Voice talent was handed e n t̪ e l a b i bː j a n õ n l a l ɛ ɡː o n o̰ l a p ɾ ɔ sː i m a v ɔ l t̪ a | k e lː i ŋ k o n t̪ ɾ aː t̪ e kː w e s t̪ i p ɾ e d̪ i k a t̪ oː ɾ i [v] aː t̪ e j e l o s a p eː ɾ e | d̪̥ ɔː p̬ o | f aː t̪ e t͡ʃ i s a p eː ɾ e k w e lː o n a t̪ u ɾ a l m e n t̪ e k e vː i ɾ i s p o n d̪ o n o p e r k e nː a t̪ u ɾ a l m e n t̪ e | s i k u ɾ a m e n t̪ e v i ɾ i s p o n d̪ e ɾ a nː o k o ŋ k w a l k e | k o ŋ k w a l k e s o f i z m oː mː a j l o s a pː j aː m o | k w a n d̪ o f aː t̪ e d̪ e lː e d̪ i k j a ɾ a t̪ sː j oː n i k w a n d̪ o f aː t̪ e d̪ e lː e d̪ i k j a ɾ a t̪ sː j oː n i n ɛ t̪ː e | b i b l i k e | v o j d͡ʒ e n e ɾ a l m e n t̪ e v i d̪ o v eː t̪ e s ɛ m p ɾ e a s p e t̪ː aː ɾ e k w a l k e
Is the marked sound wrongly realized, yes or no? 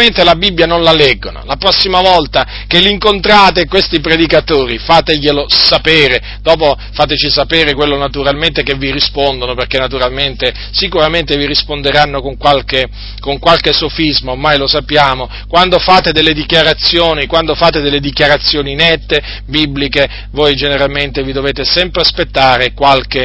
yes